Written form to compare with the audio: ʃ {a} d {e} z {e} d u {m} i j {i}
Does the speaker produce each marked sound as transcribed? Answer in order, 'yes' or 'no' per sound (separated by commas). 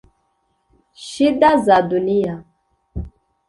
no, no, no, no, no